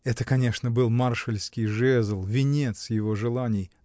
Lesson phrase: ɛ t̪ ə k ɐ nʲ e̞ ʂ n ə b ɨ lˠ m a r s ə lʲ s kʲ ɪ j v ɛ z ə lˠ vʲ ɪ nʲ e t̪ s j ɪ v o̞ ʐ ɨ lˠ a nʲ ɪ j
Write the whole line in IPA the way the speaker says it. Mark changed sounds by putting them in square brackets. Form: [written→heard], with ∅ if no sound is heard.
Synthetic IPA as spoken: ɛ t̪ ə k ɐ nʲ e̞ ʂ n ə b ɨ lˠ m a r [s→ʂ] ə lʲ s kʲ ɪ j [v→ʐ] ɛ z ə lˠ vʲ ɪ nʲ e t̪ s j ɪ v o̞ ʐ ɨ lˠ a nʲ ɪ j